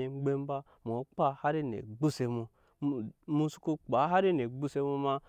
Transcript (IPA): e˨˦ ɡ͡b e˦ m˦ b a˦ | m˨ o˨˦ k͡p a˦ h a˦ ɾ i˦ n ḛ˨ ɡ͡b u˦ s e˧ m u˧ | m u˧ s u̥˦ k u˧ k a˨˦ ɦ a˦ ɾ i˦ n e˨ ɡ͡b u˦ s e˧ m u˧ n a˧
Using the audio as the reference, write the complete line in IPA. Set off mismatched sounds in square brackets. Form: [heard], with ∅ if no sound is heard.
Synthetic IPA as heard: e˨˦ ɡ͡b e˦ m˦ b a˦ | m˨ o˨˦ k͡p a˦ h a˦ ɾ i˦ n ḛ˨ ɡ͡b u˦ s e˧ m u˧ | m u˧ s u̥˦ k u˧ [k͡p] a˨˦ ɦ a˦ ɾ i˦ n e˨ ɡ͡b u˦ s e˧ m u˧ [m] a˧

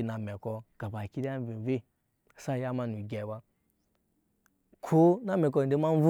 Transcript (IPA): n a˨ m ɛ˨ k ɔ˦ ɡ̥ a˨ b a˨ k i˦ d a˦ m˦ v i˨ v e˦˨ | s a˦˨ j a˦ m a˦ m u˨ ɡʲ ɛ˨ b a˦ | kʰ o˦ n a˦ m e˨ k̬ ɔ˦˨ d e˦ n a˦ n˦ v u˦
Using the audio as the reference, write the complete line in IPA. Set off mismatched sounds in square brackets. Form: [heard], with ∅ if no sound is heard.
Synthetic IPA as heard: n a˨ m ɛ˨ k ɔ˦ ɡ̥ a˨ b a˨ k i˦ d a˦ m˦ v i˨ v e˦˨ | s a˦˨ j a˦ m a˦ [n] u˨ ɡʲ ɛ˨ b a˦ | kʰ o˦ n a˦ m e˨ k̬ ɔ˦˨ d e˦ [m] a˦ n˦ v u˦

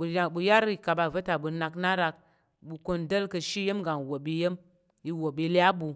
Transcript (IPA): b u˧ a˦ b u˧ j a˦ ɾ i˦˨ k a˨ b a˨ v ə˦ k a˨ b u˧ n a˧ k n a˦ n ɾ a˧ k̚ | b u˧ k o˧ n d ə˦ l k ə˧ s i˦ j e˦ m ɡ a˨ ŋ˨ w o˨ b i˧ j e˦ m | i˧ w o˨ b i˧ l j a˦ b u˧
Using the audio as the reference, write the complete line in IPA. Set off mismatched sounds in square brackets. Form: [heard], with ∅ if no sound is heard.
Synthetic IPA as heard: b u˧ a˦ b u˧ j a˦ ɾ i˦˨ k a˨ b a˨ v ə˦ [t] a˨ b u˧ n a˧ k n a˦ [∅] ɾ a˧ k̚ | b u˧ k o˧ n d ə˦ l k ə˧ [ʃ] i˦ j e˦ m ɡ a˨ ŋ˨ w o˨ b i˧ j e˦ m | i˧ w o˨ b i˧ l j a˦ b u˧

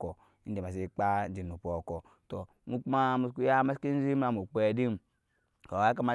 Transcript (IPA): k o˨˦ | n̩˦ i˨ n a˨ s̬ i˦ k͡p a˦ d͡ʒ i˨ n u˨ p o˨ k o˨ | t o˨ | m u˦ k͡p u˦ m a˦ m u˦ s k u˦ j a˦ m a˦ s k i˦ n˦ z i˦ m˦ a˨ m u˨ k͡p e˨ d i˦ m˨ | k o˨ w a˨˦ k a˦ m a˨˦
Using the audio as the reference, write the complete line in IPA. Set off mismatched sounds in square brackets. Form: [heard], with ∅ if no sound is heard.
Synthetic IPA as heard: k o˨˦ | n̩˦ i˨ [m] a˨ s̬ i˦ k͡p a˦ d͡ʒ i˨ n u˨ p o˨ k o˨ | t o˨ | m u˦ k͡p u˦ m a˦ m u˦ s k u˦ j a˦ m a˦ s k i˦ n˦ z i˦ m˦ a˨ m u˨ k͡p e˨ d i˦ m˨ | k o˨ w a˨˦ k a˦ m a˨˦

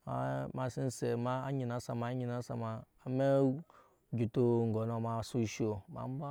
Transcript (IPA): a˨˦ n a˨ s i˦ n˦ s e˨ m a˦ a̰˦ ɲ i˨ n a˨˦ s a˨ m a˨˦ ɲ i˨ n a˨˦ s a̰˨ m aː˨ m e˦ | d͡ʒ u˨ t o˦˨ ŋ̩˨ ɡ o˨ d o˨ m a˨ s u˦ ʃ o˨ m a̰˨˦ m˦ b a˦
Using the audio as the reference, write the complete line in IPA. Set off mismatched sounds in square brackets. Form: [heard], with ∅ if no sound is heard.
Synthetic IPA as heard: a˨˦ [m] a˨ s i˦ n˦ s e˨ m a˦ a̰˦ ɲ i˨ n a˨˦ s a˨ m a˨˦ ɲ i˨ n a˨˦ s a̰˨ m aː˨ m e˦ | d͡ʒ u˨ t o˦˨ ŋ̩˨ ɡ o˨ [n] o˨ m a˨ s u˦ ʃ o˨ m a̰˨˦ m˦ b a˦

